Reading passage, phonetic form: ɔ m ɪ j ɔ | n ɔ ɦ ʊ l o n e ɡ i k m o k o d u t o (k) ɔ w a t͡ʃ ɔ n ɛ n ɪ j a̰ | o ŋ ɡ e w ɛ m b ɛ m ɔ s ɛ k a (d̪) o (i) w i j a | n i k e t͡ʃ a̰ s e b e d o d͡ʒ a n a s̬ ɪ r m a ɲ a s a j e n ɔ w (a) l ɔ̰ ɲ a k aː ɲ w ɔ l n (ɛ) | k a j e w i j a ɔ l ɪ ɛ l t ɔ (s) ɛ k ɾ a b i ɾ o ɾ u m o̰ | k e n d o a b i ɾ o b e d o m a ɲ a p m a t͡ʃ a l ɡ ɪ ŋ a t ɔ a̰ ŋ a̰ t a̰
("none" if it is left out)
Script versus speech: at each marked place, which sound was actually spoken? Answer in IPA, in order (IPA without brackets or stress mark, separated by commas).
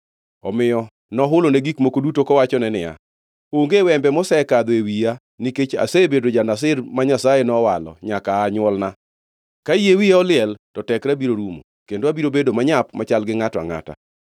k, d̪, e, a, a, t